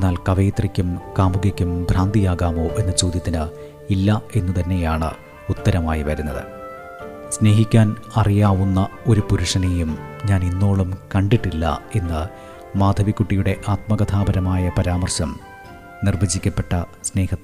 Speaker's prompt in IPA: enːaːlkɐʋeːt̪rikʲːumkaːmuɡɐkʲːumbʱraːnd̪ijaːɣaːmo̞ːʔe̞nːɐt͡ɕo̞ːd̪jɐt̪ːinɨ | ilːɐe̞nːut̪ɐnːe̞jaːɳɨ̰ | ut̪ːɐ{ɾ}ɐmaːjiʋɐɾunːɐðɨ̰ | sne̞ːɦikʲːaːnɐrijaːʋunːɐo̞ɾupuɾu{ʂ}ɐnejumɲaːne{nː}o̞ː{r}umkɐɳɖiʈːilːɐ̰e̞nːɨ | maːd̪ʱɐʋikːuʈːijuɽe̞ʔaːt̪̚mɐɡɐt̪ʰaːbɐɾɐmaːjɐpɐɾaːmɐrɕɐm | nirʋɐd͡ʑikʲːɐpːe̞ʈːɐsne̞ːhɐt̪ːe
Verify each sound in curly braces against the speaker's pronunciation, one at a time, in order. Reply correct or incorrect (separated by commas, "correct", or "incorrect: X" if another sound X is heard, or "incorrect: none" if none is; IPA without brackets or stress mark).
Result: correct, correct, correct, incorrect: ɭ